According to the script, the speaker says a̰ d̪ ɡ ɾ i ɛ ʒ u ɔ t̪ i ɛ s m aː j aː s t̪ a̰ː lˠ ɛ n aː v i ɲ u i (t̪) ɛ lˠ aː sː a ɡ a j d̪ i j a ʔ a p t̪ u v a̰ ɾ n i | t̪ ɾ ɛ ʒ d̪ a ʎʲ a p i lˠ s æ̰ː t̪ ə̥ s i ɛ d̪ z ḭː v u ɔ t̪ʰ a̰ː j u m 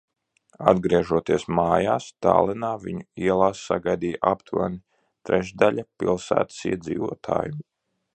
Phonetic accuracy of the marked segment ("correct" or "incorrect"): incorrect